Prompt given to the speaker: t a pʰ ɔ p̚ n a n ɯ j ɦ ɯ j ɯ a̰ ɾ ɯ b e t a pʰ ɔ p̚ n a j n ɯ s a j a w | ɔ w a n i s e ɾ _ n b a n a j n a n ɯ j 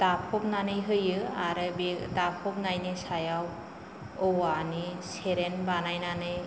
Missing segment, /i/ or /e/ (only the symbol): e